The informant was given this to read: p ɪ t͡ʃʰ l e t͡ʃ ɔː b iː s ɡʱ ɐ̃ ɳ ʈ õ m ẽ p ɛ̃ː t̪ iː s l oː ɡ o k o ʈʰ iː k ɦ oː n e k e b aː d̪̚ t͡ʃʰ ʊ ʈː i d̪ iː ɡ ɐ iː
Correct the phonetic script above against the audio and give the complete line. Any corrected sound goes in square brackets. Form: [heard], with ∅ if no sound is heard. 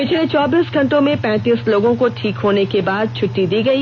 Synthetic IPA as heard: p ɪ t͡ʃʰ l e t͡ʃ ɔː b iː s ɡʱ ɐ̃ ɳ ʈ õ m ẽ p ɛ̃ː t̪ iː s l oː ɡ [õ] k o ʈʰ iː k ɦ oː n e k e b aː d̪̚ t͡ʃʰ ʊ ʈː i d̪ iː ɡ ɐ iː